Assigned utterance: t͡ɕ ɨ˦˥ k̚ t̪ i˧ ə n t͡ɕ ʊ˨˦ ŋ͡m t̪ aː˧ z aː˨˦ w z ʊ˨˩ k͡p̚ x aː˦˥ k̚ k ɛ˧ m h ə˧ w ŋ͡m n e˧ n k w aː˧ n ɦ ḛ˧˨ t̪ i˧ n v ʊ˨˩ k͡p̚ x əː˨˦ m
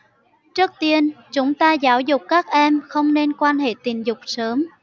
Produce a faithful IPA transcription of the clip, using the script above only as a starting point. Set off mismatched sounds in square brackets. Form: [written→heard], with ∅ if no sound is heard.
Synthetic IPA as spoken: t͡ɕ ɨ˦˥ k̚ t̪ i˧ ə n t͡ɕ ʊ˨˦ ŋ͡m t̪ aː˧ z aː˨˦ w z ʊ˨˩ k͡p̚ [x→k] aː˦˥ k̚ [k→ʔ] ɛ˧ m [h→x] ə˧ w ŋ͡m n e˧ n k w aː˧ n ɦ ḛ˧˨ t̪ [i˧→i˨˩] n [v→z] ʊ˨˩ k͡p̚ [x→s] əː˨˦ m